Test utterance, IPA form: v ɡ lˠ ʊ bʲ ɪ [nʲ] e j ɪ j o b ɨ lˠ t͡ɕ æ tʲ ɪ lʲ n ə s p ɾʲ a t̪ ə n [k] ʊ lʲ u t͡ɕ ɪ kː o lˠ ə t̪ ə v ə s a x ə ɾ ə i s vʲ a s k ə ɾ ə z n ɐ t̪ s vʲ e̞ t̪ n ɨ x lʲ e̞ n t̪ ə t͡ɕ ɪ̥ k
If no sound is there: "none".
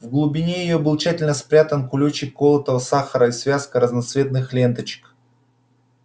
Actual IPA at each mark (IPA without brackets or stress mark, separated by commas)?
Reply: nʲ, k